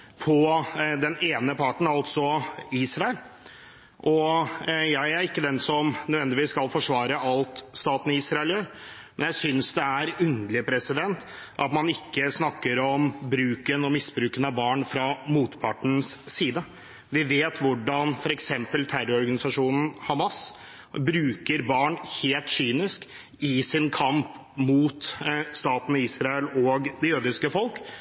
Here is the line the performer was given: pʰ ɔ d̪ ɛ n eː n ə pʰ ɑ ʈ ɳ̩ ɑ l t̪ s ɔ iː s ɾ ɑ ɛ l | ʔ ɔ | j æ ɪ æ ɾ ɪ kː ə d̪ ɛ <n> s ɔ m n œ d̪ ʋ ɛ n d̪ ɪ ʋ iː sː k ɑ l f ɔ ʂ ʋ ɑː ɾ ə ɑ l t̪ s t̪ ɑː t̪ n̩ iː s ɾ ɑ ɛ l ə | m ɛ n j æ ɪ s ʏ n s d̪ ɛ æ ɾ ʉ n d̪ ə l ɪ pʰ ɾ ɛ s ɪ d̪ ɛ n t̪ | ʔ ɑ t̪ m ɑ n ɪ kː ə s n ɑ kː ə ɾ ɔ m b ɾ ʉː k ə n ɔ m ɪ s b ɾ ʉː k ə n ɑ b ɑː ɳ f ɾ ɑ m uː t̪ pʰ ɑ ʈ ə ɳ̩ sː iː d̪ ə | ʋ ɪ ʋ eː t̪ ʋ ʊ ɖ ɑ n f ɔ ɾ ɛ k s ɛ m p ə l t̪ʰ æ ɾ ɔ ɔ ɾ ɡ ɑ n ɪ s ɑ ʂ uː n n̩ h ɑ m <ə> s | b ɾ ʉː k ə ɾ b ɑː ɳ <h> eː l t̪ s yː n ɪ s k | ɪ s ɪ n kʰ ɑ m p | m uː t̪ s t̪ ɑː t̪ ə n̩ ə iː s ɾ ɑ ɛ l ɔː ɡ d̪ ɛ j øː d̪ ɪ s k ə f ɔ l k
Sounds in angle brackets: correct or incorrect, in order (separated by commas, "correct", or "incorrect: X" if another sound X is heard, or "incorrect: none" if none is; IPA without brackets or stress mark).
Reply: correct, incorrect: ɑ, correct